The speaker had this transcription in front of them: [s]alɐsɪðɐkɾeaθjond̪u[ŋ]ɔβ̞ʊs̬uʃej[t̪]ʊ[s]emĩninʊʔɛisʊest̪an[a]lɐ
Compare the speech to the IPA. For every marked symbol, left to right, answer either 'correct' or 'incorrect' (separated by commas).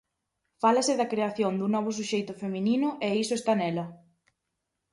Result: incorrect, incorrect, correct, incorrect, incorrect